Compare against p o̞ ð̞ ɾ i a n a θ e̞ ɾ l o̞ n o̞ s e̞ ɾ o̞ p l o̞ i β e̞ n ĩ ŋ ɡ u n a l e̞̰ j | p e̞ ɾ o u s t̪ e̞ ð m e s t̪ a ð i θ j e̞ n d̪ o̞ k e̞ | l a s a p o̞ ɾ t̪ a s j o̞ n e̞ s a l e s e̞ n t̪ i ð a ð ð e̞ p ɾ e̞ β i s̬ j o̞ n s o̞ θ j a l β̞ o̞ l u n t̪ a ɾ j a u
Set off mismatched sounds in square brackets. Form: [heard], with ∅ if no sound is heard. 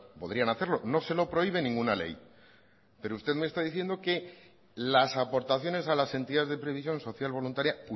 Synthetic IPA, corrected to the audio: p o̞ ð̞ ɾ i a n a θ e̞ ɾ l o̞ n o̞ s e̞ [l] o̞ p [ɾ] o̞ i β e̞ n ĩ ŋ ɡ u n a l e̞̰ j | p e̞ ɾ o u s t̪ e̞ ð m e s t̪ a ð i θ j e̞ n d̪ o̞ k e̞ | l a s a p o̞ ɾ t̪ a [θ] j o̞ n e̞ s a l [a] s e̞ n t̪ i ð a [z] ð e̞ p ɾ e̞ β i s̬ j o̞ n s o̞ θ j a l β̞ o̞ l u n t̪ a ɾ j a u